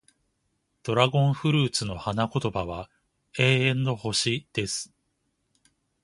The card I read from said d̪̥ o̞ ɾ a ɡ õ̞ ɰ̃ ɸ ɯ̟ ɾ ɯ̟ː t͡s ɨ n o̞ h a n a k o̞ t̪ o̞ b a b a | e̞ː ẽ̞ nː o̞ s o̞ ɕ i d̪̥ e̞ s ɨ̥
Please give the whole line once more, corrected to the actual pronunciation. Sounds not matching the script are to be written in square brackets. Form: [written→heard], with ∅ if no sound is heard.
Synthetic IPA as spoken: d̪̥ o̞ ɾ a ɡ õ̞ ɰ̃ ɸ ɯ̟ ɾ ɯ̟ː t͡s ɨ n o̞ h a n a k o̞ t̪ o̞ b a [b→β] a | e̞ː ẽ̞ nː o̞ [s→h] o̞ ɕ i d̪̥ e̞ s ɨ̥